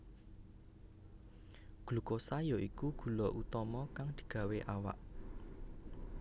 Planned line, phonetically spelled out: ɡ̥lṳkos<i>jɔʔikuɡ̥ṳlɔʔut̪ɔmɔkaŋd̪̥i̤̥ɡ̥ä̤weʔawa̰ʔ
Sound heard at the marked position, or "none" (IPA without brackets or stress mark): a